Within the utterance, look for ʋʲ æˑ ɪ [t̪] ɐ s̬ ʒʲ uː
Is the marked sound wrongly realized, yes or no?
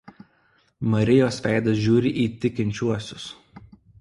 yes